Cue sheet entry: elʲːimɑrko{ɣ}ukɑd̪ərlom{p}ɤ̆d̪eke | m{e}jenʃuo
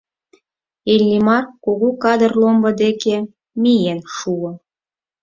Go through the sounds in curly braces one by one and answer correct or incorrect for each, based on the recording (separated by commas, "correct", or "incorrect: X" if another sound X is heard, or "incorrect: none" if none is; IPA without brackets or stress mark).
correct, incorrect: b, incorrect: i